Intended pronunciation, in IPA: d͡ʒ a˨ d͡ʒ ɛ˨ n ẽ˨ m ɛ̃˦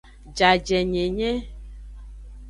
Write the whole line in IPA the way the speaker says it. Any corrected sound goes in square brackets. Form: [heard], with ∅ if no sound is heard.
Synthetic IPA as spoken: d͡ʒ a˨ d͡ʒ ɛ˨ [ɲ] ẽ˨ [ɲ] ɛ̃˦